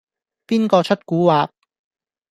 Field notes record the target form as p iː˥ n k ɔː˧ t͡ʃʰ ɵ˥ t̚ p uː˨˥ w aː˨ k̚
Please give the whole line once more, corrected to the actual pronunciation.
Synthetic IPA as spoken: p iː˥ n k ɔː˧ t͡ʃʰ ɵ˥ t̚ k uː˨˥ w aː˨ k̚